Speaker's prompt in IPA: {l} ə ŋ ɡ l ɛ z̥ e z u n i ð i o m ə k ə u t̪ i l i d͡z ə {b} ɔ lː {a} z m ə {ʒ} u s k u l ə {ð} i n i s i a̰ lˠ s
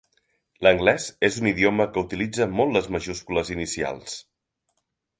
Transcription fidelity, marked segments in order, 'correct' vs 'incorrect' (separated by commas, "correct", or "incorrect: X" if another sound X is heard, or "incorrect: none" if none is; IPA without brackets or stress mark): correct, incorrect: m, incorrect: ə, correct, incorrect: z